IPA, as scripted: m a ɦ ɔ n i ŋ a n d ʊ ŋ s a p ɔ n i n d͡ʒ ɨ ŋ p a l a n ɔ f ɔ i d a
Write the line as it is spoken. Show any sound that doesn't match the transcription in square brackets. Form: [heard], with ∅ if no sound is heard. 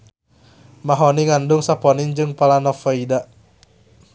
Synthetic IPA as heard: m a ɦ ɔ n i ŋ a n d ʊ ŋ s a p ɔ n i n d͡ʒ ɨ ŋ p a l a n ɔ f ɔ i d a